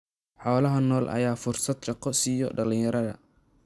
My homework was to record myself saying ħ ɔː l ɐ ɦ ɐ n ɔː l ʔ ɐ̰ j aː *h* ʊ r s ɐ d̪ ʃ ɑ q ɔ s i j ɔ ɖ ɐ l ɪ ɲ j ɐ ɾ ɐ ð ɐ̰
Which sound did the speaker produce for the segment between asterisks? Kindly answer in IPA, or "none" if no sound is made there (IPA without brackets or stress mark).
f